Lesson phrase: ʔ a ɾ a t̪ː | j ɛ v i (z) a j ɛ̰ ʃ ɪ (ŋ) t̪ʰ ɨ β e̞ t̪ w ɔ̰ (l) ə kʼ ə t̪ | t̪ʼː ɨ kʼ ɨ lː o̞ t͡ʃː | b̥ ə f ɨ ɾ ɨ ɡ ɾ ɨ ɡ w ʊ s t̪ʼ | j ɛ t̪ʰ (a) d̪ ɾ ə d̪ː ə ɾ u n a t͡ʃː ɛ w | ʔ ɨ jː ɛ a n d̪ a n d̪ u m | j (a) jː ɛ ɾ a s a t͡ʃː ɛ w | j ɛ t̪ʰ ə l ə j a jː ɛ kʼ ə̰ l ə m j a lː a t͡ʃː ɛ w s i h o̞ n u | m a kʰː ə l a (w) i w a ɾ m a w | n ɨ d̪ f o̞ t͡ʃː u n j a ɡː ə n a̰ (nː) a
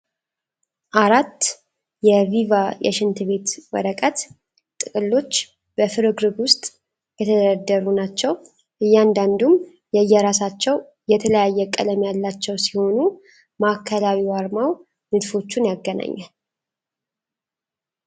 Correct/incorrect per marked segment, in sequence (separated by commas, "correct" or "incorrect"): incorrect, incorrect, incorrect, incorrect, incorrect, correct, incorrect